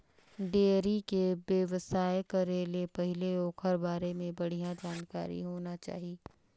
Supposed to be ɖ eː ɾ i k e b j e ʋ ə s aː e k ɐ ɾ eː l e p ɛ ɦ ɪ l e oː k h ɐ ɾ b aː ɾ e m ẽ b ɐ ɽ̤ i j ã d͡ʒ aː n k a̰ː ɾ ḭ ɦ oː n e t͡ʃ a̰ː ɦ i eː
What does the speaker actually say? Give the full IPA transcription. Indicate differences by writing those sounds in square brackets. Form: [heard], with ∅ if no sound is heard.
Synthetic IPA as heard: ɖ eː ɾ i k e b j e ʋ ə s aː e k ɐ ɾ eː l e p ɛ ɦ ɪ l e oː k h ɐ ɾ b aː ɾ e m ẽ b ɐ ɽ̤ i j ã d͡ʒ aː n k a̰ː ɾ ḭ ɦ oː n [a] t͡ʃ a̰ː ɦ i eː